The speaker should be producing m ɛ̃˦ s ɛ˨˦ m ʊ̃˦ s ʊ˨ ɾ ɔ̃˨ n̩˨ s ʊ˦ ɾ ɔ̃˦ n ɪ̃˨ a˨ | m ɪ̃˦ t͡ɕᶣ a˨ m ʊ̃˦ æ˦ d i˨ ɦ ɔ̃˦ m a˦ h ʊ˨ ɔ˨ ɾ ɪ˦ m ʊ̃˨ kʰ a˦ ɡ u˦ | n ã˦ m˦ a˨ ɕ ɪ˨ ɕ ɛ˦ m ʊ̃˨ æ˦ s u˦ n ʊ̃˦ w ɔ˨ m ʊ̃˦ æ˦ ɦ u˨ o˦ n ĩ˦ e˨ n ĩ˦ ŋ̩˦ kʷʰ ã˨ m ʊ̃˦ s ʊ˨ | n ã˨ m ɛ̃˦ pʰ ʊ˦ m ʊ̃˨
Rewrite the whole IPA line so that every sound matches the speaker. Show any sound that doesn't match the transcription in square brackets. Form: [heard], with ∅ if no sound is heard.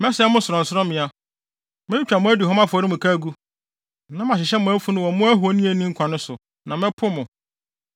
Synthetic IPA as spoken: m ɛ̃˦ s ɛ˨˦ m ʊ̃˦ s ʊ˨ ɾ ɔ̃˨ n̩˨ s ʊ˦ ɾ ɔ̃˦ [m] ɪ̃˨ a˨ | m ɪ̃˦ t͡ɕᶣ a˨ m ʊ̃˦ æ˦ d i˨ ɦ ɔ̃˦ m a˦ [f] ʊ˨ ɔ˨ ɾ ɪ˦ m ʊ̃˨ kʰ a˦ ɡ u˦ | n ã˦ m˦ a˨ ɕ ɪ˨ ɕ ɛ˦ m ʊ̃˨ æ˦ [f] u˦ n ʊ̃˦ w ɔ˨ m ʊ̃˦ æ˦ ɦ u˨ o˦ n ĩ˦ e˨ n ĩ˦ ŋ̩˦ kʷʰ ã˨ [n] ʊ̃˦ s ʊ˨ | n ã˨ m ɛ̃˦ pʰ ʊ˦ m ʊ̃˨

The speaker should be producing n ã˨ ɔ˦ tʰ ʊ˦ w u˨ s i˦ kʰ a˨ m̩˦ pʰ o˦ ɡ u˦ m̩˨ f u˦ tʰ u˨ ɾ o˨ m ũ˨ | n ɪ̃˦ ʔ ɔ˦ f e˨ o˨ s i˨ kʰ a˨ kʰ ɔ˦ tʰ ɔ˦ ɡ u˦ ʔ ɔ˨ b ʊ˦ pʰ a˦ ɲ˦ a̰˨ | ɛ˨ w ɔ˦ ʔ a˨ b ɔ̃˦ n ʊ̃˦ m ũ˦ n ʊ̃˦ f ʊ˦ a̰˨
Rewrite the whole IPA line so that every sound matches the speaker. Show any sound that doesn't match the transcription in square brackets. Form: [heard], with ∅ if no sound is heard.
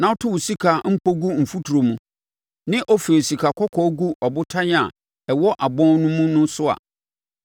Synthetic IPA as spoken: n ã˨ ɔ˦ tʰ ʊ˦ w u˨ s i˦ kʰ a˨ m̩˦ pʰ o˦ ɡ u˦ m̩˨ f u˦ tʰ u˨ ɾ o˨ m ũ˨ | n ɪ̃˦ ʔ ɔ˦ f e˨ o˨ s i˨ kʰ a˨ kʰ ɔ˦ [kʰ] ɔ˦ ɡ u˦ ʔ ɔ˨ b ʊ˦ [tʰ] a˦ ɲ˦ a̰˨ | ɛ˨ w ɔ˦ ʔ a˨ b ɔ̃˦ n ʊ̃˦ m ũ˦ n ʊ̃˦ [s] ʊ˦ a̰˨

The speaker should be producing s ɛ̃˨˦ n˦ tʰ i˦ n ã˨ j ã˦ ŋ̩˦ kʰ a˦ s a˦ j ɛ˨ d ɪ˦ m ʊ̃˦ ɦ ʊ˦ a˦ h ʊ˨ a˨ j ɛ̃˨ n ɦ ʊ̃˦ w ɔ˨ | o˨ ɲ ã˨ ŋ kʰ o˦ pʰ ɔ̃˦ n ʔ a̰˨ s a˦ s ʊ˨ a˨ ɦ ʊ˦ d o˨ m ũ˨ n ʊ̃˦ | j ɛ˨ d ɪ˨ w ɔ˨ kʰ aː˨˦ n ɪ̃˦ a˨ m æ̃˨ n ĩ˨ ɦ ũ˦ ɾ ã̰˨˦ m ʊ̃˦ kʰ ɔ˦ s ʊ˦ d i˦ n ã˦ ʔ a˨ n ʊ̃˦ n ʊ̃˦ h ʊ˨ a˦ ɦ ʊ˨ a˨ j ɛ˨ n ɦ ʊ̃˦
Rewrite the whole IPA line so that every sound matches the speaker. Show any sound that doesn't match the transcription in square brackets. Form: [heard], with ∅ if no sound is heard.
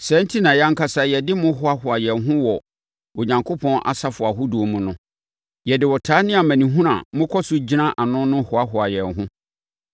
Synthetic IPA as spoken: s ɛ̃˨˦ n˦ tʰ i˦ n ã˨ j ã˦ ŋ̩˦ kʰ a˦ s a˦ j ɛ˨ d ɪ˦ m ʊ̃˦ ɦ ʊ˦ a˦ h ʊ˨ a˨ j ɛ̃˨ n ɦ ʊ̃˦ w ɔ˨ | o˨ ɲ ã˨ ŋ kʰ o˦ pʰ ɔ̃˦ n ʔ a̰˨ s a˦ [f] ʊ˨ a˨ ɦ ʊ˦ d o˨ m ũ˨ n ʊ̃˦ | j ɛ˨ d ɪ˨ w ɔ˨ [tʰ] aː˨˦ n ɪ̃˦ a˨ m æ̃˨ n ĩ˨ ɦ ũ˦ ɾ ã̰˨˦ m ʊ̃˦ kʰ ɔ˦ s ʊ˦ [d͡ʑ] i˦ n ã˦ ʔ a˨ n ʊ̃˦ n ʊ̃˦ h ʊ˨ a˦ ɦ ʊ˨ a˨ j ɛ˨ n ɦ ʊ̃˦

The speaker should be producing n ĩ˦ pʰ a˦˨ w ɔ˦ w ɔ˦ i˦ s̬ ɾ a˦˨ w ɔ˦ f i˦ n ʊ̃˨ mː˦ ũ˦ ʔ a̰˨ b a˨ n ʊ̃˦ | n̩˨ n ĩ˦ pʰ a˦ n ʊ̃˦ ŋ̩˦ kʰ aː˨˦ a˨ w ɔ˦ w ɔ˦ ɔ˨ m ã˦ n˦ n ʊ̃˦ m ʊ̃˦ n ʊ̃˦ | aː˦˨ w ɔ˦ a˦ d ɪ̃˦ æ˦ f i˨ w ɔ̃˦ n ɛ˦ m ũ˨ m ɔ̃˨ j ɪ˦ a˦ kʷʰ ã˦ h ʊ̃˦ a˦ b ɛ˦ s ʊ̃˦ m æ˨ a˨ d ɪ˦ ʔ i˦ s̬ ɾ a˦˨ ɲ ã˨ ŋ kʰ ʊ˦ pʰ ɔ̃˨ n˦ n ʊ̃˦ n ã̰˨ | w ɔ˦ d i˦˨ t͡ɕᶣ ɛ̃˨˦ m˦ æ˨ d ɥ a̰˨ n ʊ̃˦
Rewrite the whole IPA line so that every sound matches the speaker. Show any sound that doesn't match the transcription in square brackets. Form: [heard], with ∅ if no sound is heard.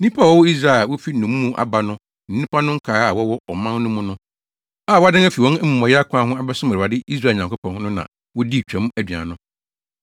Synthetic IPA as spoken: n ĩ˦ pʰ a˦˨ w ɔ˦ w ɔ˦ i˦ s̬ ɾ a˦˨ w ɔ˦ f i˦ n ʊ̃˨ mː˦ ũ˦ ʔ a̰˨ b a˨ n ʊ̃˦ | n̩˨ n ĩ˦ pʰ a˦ n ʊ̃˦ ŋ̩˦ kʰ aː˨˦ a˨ w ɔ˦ w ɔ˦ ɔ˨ m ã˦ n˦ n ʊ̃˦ m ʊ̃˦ n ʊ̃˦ | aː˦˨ w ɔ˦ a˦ d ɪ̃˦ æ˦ f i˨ w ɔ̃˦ n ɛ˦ m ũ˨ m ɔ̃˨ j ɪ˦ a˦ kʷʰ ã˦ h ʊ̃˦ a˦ b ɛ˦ s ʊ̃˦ m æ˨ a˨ d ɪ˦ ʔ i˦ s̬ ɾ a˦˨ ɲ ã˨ ŋ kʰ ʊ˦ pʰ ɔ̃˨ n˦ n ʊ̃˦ n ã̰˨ | w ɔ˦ d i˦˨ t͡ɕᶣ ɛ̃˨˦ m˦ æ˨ d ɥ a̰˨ n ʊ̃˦

